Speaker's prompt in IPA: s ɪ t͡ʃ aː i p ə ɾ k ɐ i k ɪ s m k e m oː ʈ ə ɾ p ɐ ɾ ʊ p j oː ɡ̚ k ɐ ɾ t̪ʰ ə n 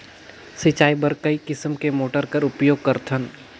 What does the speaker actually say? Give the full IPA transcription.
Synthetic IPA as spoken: s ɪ t͡ʃ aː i b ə ɾ k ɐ i k ɪ s m k e m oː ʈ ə ɾ k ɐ ɾ ʊ p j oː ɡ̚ k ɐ ɾ t̪ʰ ə n